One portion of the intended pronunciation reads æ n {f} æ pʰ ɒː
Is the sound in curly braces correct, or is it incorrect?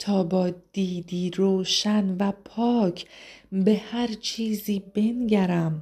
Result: incorrect